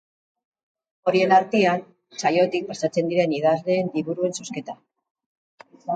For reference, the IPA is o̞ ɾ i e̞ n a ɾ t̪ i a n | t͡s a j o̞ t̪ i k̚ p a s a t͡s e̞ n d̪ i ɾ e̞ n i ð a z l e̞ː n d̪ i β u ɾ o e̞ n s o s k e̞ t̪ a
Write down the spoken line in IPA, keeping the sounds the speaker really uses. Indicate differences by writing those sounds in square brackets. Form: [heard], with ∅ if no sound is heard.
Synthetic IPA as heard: o̞ ɾ i e̞ n a ɾ t̪ i a n | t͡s a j o̞ t̪ i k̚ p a s a t͡s e̞ n d̪ i ɾ e̞ n i ð a z l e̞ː n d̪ i β u ɾ [u] e̞ n s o s k e̞ t̪ a